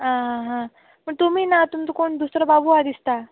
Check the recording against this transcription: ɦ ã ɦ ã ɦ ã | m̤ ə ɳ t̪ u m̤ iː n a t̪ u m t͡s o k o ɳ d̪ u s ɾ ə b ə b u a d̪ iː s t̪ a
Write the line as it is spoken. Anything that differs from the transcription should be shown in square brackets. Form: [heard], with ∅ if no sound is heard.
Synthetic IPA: ɦ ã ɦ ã ɦ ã | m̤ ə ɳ t̪ u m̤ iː n a t̪ u m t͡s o k o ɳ d̪ u s ɾ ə b [a] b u a d̪ [i] s t̪ a